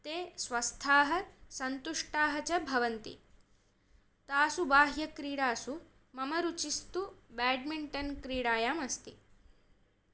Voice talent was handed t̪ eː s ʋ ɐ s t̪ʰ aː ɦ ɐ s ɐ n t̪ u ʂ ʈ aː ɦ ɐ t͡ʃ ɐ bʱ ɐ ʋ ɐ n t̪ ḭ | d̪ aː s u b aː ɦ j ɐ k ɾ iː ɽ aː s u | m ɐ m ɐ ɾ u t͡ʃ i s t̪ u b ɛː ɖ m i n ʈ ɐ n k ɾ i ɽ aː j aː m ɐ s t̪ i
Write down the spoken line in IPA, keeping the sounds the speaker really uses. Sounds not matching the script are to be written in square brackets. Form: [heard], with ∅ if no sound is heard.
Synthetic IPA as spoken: t̪ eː s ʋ ɐ s t̪ʰ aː ɦ ɐ s ɐ n t̪ u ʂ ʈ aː ɦ ɐ t͡ʃ ɐ bʱ ɐ ʋ ɐ n t̪ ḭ | [t̪] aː s u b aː ɦ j ɐ k ɾ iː ɽ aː s u | m ɐ m ɐ ɾ u t͡ʃ i s t̪ u b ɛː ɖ m i [ɳ] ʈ ɐ n k ɾ [iː] ɽ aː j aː m ɐ s t̪ i